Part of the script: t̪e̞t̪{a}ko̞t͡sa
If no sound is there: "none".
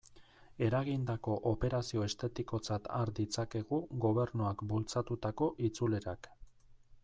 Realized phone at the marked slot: i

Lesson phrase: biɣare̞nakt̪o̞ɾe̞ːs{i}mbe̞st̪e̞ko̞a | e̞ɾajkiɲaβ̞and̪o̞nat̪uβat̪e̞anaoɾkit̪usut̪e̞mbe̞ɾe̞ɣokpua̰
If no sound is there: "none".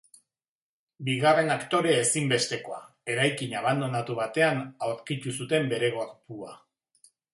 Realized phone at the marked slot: i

